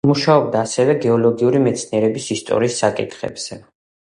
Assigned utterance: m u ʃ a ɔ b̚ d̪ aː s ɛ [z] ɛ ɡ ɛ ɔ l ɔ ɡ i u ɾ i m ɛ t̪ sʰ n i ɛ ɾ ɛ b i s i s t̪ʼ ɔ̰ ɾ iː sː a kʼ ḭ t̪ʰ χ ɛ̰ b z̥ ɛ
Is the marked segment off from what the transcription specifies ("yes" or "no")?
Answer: yes